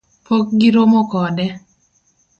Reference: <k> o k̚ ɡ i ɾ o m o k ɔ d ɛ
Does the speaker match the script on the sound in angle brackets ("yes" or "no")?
no